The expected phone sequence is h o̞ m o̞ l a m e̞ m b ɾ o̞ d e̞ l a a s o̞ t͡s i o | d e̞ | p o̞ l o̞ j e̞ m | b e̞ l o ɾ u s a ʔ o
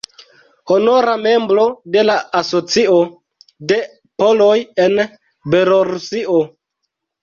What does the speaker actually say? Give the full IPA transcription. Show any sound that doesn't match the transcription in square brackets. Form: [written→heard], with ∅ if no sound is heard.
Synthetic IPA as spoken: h o̞ [m→n] o̞ [l→ɾ] a m e̞ m b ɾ o̞ d e̞ l a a s o̞ t͡s i o | d e̞ | p o̞ l o̞ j e̞ [m→n] | b e̞ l o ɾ u s [a→i] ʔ o